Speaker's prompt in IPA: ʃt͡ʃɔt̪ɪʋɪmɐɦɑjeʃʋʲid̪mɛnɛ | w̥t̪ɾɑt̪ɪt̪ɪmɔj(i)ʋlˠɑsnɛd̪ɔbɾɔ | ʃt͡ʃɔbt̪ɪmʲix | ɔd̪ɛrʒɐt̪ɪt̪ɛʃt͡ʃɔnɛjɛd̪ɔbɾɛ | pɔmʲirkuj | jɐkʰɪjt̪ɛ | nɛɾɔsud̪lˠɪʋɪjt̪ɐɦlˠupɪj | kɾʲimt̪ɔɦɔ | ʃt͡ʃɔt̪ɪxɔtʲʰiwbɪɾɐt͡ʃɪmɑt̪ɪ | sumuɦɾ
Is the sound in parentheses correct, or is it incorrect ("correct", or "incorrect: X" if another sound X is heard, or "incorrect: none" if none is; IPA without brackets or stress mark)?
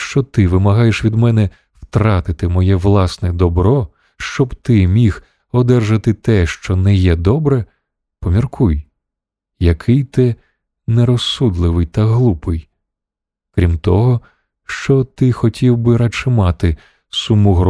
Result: incorrect: ɛ